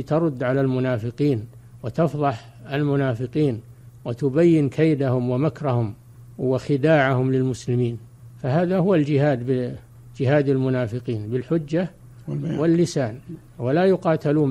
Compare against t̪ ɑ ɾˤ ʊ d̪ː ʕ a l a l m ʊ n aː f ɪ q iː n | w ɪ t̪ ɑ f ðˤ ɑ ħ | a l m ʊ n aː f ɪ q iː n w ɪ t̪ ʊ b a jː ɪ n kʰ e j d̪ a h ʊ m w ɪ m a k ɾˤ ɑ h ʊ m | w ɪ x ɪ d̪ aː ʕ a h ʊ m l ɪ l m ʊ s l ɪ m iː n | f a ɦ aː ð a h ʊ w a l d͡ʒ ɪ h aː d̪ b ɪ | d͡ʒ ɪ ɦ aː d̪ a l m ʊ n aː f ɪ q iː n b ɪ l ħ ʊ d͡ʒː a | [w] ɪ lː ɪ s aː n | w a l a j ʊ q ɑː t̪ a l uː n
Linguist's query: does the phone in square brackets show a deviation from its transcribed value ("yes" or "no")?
no